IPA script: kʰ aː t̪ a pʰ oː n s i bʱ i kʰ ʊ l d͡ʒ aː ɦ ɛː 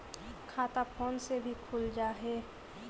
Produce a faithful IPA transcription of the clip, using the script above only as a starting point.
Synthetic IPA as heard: kʰ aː t̪ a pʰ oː n s e bʱ i kʰ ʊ l d͡ʒ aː ɦ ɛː